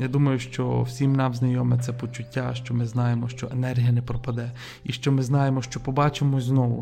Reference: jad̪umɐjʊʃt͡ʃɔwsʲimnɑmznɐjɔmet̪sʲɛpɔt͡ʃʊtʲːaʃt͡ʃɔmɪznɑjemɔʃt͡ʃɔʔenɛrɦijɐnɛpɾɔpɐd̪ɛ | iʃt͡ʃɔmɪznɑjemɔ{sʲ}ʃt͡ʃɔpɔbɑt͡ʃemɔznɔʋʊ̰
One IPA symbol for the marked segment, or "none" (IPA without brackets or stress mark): none